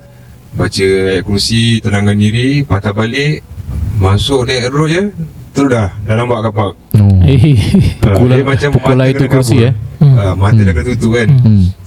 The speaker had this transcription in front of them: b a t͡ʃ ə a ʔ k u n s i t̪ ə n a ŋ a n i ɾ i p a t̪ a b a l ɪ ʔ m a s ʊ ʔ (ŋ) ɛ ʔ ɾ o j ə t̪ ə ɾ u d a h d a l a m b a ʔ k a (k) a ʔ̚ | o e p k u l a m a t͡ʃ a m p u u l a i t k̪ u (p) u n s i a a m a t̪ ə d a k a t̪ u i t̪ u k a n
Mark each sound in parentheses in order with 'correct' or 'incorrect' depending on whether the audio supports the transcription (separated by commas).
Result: incorrect, incorrect, incorrect